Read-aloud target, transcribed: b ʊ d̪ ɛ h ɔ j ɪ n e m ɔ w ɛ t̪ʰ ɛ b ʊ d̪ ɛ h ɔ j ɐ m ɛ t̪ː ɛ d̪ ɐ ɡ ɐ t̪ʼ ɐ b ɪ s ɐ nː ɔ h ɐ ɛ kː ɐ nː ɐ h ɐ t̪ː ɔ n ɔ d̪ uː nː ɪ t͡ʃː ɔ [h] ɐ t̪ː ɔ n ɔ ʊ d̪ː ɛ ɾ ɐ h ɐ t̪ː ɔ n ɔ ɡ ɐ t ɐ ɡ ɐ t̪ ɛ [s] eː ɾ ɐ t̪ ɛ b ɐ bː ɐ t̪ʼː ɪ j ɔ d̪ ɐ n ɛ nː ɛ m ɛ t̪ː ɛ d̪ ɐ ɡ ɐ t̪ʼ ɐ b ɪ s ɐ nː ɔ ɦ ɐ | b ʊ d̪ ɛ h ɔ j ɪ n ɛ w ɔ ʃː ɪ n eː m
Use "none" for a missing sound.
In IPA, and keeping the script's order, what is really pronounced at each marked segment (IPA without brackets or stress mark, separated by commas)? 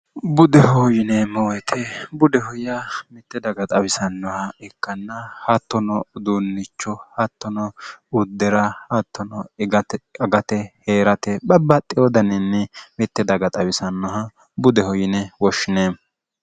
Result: h, h